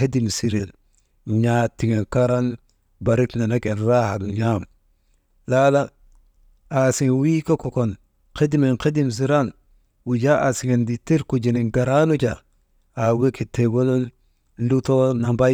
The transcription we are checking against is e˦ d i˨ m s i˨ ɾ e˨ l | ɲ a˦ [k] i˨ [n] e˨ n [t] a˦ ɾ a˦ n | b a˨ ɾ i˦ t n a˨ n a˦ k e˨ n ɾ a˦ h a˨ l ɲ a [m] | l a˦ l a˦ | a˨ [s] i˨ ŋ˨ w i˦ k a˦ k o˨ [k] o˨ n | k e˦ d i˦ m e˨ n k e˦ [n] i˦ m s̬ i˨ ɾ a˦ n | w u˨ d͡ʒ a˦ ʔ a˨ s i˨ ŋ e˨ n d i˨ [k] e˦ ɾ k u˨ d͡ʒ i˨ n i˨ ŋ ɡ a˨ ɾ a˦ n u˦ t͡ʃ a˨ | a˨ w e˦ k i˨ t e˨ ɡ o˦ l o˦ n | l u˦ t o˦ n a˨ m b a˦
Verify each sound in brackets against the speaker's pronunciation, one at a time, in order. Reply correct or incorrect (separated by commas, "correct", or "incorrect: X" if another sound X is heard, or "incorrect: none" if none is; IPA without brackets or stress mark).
incorrect: t, incorrect: ŋ, incorrect: k, correct, correct, correct, incorrect: d, incorrect: t